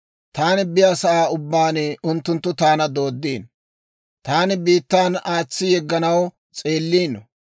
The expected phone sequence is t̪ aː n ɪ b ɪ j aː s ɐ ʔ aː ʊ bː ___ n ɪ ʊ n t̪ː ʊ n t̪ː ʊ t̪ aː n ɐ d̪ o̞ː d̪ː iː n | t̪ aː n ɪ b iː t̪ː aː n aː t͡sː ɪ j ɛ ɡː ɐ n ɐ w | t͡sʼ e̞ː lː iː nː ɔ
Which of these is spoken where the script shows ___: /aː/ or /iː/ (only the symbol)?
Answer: aː